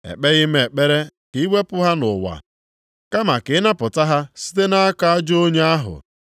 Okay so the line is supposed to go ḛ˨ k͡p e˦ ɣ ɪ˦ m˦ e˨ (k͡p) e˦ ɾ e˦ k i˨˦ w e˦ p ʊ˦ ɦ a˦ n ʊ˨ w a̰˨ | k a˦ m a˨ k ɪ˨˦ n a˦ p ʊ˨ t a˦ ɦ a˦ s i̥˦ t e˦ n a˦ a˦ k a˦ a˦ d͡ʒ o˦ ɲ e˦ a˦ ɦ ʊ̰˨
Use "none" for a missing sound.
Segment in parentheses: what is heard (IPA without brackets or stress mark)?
k͡p